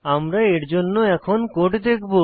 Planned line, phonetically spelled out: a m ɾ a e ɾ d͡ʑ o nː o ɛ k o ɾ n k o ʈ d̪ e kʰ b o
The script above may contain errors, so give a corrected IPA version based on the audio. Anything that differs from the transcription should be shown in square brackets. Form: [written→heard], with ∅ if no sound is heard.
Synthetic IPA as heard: a m ɾ a e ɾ d͡ʑ o nː o ɛ [k→kʰ] o [ɾ→∅] n k o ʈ d̪ e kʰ b o